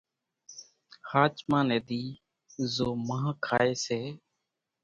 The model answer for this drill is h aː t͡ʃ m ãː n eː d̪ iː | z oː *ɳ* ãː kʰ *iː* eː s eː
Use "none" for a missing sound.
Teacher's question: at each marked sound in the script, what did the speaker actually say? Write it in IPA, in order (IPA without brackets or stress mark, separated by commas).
m, aː